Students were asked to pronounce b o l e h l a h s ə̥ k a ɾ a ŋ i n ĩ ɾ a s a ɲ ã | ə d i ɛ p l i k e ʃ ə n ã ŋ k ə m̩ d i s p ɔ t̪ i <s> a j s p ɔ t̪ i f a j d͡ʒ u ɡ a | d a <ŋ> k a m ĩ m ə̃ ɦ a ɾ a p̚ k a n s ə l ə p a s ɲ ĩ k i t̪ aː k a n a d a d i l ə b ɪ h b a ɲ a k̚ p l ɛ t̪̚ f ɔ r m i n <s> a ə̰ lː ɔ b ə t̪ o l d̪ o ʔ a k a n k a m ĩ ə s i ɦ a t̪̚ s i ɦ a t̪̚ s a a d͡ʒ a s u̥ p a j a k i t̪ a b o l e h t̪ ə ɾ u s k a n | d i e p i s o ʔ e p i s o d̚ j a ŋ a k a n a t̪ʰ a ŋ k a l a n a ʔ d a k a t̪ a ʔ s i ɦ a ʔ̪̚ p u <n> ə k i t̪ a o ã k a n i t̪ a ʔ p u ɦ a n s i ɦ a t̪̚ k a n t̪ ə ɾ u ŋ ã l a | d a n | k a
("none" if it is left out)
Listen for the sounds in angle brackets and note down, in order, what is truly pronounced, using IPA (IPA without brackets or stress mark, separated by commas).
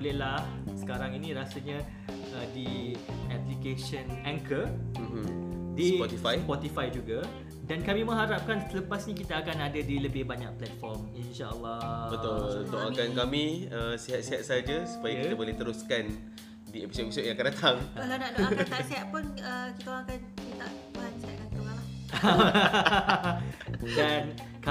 f, n, ʃ, n